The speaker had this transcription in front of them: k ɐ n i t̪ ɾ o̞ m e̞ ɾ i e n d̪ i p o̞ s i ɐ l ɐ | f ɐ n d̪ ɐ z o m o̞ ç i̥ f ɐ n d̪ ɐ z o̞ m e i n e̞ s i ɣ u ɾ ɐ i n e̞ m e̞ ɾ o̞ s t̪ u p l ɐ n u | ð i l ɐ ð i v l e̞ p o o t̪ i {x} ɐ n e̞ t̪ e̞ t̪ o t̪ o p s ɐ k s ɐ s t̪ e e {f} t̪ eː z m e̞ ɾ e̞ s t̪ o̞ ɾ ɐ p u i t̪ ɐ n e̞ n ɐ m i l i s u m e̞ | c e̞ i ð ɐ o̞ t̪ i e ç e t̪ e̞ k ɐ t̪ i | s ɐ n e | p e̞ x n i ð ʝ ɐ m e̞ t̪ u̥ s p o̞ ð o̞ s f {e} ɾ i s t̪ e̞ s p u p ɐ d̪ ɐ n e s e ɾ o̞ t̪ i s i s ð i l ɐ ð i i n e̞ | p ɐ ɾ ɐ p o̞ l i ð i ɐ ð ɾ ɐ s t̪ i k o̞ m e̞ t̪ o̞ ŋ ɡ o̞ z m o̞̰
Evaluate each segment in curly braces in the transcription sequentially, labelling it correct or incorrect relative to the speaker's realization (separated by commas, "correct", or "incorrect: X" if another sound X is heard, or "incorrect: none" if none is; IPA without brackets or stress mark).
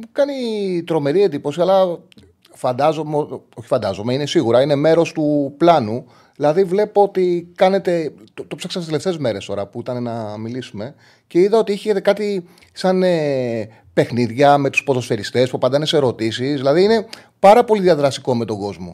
incorrect: k, correct, correct